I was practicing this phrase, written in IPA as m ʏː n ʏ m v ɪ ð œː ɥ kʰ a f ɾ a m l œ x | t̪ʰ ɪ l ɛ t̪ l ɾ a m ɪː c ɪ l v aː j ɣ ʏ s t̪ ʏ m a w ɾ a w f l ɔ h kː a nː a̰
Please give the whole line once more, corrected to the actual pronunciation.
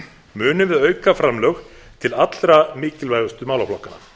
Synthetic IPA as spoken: m ʏː n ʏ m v ɪ ð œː ɥ k a f ɾ a m l œ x | t̪ʰ ɪ l a t̪ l ɾ a m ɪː c ɪ l v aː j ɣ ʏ s t̪ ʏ m a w l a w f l ɔ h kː a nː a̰

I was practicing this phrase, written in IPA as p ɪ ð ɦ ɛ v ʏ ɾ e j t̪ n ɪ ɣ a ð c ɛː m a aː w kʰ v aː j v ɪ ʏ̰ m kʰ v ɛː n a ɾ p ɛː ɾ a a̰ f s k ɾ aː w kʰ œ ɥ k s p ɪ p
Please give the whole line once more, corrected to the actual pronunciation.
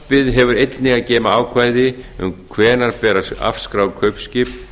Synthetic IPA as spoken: p ɪ ð ɦ ɛ v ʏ ɾ e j t̪ n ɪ ɣ a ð c ɛː m a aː w kʰ v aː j ð ɪ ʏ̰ m kʰ v ɛː n a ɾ p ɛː ɾ a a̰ f s k ɾ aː w kʰ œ ɥ p s c ɪ p

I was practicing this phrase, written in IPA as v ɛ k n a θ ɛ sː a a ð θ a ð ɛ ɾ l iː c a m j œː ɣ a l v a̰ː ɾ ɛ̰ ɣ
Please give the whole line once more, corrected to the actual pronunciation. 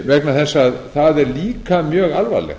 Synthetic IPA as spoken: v ɛ k n a θ ɛ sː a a ð θ a ð ɛ ɾ l iː k a m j œː ɣ a l v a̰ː l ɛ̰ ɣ

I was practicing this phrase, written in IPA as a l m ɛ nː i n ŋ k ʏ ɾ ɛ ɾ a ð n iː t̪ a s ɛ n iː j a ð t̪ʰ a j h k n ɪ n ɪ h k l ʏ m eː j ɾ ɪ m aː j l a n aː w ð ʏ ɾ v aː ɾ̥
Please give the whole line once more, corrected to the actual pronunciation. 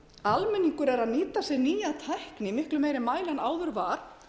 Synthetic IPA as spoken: a l m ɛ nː i ŋ k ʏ ɾ ɛ ɾ a ð n iː t̪ a s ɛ n iː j a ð t̪ʰ a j h k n ɪ m ɪ h k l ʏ m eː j ɾ ɪ m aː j l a n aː w ð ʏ ɾ v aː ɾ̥

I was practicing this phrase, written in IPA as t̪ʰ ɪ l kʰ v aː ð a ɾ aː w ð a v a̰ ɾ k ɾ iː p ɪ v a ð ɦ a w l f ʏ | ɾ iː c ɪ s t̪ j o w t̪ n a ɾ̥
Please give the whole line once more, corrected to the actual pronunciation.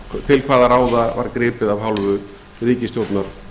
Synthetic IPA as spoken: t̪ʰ ɪ l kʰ v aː ð a ɾ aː w ð a v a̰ ɾ k ɾ ɪː p ɪ ð a v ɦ a w l v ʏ | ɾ iː c ɪ s t̪ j o w t̪ n a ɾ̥

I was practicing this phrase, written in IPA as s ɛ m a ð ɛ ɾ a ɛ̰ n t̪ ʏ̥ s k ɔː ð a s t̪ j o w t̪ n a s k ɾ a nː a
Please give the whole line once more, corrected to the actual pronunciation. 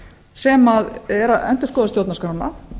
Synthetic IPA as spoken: s ɛ m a ð ɛ ɾ a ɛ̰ n t̪ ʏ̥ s k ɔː ð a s t̪ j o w t̪ n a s k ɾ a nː a

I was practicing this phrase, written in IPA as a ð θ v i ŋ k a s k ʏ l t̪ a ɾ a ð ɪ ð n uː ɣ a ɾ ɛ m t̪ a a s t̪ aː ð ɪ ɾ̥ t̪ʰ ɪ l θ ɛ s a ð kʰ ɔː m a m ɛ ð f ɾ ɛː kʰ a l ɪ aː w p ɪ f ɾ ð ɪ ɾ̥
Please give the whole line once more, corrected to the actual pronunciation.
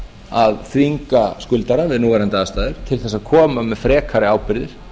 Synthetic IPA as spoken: a ð θ v i ŋ k a s k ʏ l t̪ a ɾ a v ɪ ð n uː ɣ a ɾ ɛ n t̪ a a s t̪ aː ð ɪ ɾ̥ t̪ʰ ɪ l θ ɛ s a ð kʰ ɔː m a m ɛ ð f ɾ ɛː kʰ a ɾ ɪ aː w p ɪ ɾ ð ɪ ɾ̥

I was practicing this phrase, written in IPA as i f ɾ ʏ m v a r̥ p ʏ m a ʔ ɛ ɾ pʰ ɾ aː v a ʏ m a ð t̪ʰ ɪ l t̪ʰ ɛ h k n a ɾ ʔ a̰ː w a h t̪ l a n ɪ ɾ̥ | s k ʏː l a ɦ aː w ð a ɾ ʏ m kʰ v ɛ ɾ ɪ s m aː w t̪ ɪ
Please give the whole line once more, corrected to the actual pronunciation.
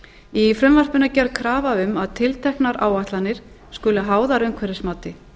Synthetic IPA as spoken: i f ɾ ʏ m v a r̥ p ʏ n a c ɛ ɾ kʰ ɾ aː v a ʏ m a ð t̪ʰ ɪ l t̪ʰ ɛ h k n a ɾ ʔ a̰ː w a h t̪ l a n ɪ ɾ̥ | s k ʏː l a ɦ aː w ð a ɾ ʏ m kʰ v ɛ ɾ ɪ s m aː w t̪ ɪ

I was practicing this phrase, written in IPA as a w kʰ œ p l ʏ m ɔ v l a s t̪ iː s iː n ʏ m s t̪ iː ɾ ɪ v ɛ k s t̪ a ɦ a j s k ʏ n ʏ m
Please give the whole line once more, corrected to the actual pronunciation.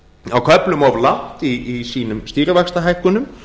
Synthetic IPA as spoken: a w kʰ œ p l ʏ m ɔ v l a h t̪ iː s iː n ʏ m s t̪ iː ɾ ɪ v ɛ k s t̪ a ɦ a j h k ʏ n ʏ m

